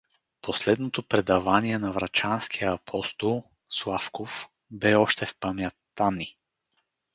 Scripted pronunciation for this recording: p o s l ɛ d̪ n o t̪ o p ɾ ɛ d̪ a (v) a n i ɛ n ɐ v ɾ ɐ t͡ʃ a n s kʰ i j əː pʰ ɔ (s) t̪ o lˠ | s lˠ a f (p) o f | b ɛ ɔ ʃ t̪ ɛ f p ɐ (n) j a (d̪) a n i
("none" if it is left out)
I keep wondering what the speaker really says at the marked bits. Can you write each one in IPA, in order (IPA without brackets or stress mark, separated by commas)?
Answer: v, s, k, m, t̪